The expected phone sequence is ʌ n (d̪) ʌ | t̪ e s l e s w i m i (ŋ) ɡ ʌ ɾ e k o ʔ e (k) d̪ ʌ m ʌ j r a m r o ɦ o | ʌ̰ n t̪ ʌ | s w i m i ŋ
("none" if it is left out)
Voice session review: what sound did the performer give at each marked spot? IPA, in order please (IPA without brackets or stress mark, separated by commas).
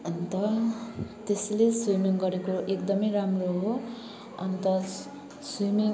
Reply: t̪, ŋ, k